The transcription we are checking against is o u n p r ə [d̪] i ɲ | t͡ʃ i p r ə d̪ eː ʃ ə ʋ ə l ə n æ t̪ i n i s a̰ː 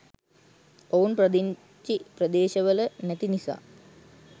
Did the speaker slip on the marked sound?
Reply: no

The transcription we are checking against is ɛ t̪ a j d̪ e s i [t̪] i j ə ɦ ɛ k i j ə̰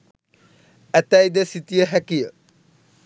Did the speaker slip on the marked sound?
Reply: no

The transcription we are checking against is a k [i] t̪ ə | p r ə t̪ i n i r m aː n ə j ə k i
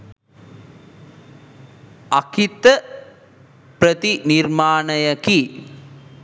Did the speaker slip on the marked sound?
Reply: no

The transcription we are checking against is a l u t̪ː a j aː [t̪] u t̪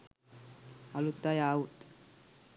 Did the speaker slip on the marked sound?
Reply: yes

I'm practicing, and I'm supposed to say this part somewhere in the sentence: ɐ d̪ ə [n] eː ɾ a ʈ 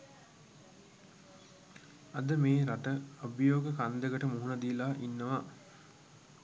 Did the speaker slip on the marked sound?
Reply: yes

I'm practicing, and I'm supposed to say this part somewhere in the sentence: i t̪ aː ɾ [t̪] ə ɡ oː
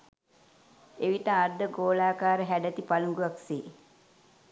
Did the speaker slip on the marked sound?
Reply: yes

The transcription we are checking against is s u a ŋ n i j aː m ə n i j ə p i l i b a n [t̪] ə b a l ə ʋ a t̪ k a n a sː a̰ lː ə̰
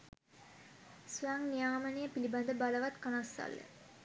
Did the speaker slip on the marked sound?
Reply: yes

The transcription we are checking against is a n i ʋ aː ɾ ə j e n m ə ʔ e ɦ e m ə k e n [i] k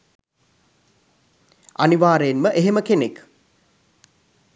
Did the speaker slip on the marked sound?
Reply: yes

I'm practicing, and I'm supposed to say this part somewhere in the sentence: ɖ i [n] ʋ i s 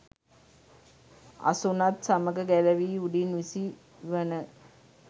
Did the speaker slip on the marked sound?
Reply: no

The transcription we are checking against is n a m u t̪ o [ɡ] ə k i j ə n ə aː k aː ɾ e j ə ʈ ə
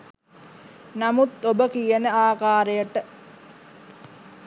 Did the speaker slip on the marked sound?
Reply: yes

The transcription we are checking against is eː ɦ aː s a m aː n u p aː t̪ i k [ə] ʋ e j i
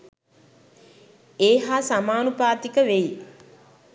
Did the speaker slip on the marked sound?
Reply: no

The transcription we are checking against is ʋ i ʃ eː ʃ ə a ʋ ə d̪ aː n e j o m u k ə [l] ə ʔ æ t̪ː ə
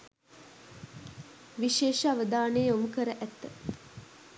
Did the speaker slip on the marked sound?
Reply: yes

